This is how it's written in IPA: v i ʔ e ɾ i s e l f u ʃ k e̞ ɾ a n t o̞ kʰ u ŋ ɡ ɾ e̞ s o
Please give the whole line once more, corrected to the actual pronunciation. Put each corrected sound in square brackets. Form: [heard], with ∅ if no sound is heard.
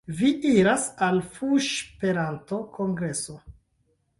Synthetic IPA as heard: v i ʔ [i] ɾ [a] s [a] l f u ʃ [p] e̞ ɾ a n t o̞ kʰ [o] ŋ ɡ ɾ e̞ s o